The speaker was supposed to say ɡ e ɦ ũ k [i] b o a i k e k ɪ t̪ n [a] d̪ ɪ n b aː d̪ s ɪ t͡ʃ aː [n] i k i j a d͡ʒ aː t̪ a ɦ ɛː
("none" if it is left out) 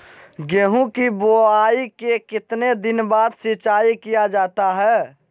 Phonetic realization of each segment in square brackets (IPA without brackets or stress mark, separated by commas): i, e, none